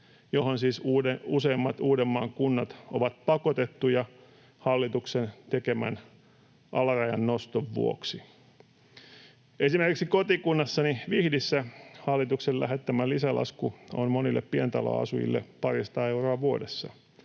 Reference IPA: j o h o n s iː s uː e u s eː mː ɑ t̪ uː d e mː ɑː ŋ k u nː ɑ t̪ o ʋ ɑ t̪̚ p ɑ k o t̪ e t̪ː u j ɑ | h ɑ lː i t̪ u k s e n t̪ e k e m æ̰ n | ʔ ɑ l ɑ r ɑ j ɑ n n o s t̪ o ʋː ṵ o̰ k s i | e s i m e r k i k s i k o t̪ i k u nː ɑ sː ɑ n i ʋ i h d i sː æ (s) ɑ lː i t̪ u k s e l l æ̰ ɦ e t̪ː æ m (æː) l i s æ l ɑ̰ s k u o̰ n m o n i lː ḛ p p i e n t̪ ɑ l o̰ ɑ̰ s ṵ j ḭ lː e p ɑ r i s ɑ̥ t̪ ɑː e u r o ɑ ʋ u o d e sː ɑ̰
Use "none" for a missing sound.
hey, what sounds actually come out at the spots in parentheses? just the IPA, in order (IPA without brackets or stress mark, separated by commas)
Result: h, æ